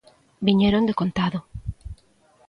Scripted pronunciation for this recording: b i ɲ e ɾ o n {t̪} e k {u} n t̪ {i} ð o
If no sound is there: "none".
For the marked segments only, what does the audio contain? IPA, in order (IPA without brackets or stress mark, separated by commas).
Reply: d̪, o, a